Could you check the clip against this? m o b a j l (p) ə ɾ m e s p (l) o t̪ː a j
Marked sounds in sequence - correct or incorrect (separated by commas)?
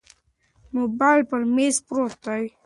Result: correct, incorrect